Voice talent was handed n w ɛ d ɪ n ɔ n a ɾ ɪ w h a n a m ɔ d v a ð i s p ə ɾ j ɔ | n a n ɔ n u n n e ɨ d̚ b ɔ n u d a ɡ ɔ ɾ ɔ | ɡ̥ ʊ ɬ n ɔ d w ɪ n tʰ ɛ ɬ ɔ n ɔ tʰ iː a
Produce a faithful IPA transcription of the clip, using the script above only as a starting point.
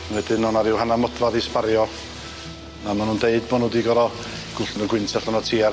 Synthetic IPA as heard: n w ɛ d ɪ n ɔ n a ɾ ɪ w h a n a m ɔ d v a ð i s p a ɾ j ɔ | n a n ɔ n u n d e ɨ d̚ b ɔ n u d i ɡ ɔ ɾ ɔ | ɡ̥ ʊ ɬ n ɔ ɡ w ɪ n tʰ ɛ ɬ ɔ n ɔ tʰ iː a